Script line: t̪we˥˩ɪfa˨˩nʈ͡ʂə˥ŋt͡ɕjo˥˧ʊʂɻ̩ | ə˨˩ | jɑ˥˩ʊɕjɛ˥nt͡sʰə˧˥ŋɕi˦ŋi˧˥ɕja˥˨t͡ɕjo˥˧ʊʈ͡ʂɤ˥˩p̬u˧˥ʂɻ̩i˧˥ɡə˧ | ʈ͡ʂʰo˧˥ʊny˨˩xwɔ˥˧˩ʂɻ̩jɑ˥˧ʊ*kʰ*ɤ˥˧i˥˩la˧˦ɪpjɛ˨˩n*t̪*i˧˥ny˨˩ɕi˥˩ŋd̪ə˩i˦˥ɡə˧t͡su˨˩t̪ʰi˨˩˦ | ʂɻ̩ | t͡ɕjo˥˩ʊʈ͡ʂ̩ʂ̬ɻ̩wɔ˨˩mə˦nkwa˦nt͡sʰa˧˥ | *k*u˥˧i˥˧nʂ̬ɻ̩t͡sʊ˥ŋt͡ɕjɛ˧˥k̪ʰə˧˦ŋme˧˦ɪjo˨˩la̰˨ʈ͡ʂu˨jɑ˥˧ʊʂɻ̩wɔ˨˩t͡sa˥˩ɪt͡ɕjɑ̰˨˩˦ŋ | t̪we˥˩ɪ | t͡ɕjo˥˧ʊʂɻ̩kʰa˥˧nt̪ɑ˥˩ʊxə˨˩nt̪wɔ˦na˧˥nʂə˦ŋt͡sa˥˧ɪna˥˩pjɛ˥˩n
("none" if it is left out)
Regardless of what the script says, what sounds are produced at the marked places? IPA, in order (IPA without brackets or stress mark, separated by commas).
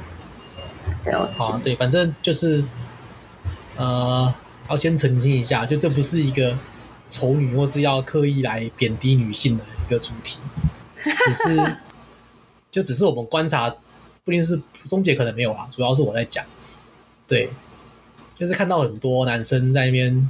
kʰ, t̪, p